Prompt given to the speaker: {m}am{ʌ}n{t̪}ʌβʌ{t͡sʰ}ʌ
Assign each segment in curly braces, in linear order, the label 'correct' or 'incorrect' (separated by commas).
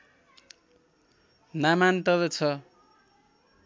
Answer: incorrect, incorrect, correct, correct